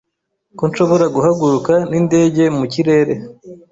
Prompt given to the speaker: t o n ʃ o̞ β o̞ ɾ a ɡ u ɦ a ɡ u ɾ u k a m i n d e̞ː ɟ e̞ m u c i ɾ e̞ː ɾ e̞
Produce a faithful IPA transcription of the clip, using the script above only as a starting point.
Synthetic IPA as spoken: k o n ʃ o̞ β o̞ ɾ a ɡ u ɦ a ɡ u ɾ u k a n i n d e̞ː ɟ e̞ m u c i ɾ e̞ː ɾ e̞